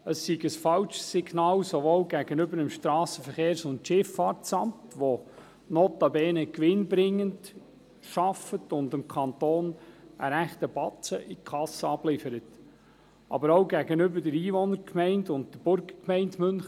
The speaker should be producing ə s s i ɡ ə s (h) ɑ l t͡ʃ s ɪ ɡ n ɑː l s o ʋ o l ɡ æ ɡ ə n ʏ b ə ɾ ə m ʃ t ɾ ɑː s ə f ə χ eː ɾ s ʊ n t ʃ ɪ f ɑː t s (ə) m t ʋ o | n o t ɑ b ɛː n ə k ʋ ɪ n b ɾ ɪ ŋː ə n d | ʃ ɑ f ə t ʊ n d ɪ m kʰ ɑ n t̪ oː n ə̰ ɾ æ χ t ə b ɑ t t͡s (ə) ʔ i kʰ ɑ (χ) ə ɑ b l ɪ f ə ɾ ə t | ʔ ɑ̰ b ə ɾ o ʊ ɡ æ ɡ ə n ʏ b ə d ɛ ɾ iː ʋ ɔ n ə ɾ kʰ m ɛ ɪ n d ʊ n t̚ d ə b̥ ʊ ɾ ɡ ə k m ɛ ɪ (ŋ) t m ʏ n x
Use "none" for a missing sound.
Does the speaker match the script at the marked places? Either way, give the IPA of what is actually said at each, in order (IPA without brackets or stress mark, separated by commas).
f, ɑ, ə, s, n